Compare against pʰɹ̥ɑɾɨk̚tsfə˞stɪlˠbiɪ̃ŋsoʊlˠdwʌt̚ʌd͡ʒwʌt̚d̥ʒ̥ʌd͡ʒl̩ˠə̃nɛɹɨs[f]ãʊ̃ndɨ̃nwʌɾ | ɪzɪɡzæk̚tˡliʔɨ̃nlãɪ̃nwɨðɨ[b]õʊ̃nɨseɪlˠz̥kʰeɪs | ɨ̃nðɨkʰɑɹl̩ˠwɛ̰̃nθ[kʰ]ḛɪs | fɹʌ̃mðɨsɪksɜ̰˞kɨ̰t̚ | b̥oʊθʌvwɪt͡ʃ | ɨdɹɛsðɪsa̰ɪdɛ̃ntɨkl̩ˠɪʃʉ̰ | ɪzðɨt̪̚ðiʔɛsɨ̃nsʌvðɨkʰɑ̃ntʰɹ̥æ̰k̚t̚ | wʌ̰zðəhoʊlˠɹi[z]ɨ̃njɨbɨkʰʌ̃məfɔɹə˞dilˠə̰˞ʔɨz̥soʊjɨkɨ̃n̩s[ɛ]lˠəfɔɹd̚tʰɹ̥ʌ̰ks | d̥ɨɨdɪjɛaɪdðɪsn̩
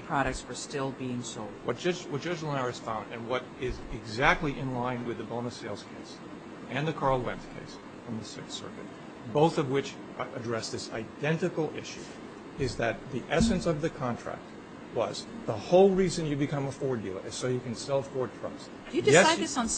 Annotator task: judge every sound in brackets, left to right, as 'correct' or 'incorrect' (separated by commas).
correct, correct, correct, correct, correct